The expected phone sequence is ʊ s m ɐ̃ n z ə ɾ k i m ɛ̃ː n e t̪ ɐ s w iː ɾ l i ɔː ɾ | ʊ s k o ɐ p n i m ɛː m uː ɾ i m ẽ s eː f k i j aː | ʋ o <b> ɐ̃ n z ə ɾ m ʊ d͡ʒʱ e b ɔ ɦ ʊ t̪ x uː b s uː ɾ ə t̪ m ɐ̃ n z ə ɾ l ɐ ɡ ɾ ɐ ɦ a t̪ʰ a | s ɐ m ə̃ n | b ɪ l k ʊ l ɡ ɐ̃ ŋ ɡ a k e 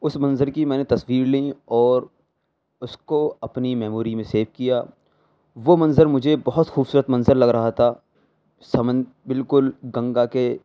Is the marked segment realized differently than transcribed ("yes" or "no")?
yes